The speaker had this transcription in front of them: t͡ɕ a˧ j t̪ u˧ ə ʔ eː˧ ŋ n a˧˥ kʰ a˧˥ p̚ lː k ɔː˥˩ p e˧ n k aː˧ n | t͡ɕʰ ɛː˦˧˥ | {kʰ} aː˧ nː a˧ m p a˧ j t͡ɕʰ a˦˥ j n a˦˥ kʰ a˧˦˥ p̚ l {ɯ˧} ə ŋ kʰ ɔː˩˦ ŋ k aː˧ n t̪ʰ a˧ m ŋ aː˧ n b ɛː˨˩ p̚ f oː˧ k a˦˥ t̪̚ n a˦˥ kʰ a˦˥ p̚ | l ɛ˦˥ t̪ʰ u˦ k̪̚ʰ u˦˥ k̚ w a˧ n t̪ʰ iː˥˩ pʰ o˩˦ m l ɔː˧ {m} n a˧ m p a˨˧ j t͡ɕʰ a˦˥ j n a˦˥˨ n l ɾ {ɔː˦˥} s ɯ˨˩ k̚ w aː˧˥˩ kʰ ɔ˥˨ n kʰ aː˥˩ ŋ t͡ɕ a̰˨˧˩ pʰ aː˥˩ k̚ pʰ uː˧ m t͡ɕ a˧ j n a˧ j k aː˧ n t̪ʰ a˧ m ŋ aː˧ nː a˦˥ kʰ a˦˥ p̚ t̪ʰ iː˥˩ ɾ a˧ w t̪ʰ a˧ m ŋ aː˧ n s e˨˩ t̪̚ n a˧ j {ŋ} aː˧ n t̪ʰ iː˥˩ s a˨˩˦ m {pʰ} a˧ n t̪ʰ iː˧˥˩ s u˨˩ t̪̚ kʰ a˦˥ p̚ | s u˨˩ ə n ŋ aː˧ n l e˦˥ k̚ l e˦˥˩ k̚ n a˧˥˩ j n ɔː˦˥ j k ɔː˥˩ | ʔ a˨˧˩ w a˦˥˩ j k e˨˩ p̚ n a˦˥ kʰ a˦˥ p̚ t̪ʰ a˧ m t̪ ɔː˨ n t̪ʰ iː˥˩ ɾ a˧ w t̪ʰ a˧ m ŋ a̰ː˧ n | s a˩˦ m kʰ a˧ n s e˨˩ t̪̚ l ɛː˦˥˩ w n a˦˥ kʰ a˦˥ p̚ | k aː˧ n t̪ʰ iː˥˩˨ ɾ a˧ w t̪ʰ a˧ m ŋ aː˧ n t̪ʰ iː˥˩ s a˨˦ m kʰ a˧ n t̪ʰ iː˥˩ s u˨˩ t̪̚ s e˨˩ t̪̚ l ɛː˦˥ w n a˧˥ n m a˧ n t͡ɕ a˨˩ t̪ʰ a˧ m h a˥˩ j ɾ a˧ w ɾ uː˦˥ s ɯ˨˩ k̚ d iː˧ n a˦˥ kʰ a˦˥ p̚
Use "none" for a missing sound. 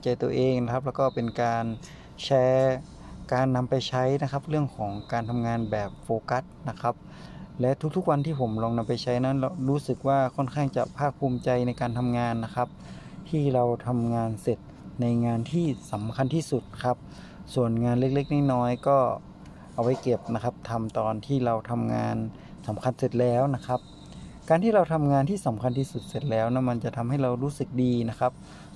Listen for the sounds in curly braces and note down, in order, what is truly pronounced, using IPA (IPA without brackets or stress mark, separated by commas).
k, ɯ˥˩, ŋ, uː˦˥, ŋ, kʰ